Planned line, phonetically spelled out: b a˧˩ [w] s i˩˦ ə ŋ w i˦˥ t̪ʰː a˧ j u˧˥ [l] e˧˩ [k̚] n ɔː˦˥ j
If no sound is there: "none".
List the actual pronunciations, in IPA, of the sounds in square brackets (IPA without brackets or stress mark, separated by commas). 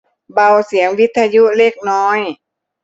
w, l, k̚